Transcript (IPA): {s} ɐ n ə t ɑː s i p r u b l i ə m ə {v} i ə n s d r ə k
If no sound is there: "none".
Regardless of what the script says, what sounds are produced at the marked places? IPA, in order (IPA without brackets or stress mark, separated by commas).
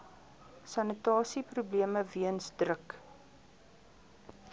s, v